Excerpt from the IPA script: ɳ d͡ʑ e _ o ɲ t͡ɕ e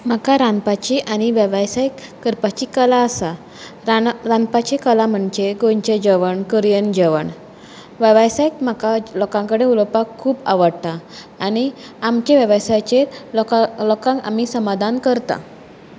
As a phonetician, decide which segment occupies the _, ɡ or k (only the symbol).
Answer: ɡ